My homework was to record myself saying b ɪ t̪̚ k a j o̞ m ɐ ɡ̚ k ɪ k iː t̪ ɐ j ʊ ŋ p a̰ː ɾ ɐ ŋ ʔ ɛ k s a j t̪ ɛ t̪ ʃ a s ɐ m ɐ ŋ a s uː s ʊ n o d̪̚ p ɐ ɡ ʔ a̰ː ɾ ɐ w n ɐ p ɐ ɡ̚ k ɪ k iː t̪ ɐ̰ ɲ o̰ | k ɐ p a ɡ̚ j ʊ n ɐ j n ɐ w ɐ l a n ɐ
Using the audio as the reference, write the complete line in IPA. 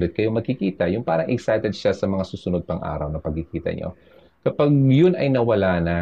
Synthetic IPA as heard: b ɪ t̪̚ k ɐ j o̞ m ɐ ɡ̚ k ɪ k iː t̪ ɐ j ʊ ŋ p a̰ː ɾ ɐ ŋ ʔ ɛ k s a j t̪ ɛ d̪ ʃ a s ɐ m ɐ ŋ a s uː s ʊ n o d̪̚ p ɐ ŋ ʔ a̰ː ɾ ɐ w n ɐ p ɐ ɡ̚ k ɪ k iː t̪ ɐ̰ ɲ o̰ | k ɐ p a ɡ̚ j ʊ n ɐ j n ɐ w ɐ l a n ɐ